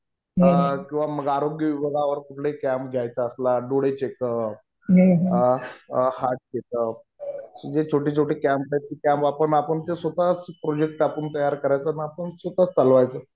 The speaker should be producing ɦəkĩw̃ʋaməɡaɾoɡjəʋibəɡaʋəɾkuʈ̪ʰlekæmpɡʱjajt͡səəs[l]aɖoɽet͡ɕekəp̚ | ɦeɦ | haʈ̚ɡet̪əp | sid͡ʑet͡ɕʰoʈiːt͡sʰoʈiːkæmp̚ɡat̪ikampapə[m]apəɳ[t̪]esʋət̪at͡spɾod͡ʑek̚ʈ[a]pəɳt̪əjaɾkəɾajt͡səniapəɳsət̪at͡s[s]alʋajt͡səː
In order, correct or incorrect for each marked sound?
correct, incorrect, correct, correct, incorrect

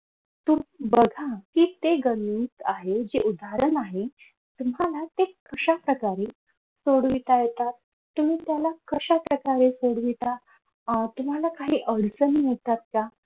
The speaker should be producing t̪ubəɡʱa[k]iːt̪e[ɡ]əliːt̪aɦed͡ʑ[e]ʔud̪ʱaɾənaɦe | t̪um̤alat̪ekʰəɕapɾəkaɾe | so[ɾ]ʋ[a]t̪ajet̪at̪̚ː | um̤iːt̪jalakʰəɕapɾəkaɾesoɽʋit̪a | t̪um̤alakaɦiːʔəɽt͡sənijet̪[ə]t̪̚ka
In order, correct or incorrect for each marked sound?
correct, correct, correct, incorrect, incorrect, incorrect

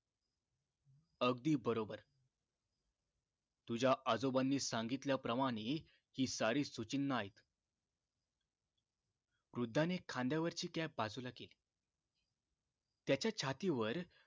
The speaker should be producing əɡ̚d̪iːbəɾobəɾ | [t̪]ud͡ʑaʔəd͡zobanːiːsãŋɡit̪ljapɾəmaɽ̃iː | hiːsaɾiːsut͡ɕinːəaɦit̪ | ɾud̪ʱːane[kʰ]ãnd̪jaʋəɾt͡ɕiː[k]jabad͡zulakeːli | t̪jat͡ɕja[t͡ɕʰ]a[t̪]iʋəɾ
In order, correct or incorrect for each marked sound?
correct, correct, correct, correct, correct

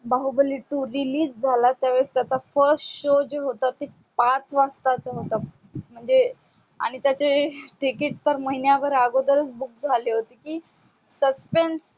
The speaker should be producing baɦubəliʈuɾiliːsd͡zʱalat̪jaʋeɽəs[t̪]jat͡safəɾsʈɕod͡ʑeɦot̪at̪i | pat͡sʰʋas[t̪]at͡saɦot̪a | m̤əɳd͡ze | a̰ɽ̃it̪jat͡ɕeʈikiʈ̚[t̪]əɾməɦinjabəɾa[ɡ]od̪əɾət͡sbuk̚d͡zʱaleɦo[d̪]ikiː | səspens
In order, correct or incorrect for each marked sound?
correct, correct, correct, correct, incorrect

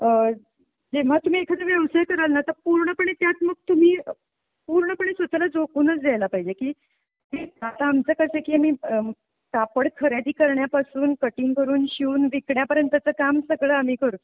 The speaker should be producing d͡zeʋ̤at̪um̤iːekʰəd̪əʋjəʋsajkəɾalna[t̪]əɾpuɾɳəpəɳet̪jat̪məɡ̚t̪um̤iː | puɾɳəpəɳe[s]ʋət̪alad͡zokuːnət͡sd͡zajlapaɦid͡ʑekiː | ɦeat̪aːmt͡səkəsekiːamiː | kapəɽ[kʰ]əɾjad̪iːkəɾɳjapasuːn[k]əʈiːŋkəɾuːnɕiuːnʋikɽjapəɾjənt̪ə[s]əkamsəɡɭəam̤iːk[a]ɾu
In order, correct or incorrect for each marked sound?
correct, correct, correct, correct, incorrect, incorrect

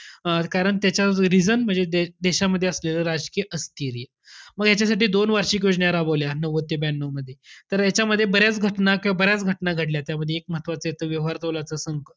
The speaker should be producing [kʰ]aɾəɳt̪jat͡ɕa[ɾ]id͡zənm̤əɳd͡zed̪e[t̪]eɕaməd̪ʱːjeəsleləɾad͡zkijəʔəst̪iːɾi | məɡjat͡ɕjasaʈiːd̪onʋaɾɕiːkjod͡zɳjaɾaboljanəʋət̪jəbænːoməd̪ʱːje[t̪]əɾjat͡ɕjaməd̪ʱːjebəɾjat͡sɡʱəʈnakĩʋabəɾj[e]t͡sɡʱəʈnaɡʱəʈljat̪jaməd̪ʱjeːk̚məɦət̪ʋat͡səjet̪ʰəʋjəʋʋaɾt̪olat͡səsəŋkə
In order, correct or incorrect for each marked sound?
incorrect, correct, incorrect, correct, incorrect

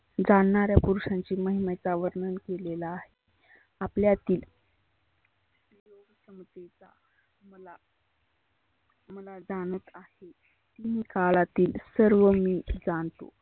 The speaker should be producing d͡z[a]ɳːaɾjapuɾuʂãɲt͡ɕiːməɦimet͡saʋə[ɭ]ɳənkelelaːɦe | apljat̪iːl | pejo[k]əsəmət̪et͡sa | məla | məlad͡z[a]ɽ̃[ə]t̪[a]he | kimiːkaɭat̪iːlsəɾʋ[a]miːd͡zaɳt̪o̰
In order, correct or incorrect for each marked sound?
correct, incorrect, incorrect, correct, correct, correct, incorrect

